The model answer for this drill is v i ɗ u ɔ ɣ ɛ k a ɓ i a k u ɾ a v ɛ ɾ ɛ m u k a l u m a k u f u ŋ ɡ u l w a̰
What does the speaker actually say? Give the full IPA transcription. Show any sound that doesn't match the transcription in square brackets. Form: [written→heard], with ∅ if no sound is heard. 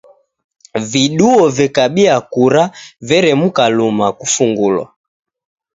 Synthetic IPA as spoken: v i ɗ u ɔ [ɣ→v] ɛ k a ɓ i a k u ɾ a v ɛ ɾ ɛ m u k a l u m a k u f u ŋ ɡ u l w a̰